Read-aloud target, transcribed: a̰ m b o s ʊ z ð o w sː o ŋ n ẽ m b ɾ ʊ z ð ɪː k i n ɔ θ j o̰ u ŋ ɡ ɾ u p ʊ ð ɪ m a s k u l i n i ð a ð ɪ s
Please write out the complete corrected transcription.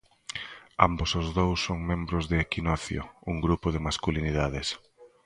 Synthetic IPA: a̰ m b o s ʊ z ð o w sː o ŋ m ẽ m b ɾ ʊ z ð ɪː k i n ɔ θ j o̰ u ŋ ɡ ɾ u p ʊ ð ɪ m a s k u l i n i ð a ð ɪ s